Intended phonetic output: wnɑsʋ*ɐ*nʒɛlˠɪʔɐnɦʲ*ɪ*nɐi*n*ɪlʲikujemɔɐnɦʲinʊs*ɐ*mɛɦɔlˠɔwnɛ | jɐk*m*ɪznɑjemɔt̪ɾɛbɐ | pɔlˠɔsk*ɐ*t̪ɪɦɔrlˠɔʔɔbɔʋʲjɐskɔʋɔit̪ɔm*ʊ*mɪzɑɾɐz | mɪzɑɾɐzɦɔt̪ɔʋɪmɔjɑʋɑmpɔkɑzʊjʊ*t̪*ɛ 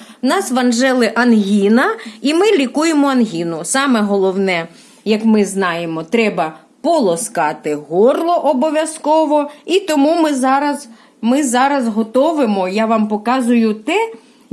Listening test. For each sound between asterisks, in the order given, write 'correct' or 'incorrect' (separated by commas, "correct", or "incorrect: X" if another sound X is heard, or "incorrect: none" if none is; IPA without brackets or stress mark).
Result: correct, incorrect: i, incorrect: m, incorrect: ɑ, correct, incorrect: ɑ, incorrect: u, correct